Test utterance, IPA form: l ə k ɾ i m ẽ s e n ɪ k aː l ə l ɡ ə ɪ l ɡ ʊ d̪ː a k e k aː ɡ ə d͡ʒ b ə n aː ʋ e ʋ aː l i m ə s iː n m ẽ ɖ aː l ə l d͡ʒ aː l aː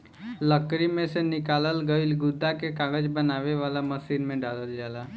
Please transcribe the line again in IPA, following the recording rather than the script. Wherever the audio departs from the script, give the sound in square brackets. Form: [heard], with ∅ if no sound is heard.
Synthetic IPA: l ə k ɾ i m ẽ s e n ɪ k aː l ə l ɡ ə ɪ l ɡ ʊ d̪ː a k e k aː ɡ ə d͡ʒ b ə n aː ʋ e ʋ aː l [a] m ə s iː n m ẽ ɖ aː l ə l d͡ʒ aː l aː